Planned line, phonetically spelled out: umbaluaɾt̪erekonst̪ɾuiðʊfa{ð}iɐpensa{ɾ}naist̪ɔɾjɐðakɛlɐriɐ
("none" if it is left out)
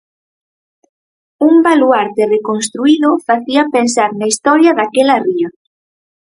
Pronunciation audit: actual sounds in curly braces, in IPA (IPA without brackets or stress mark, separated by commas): θ, ɾ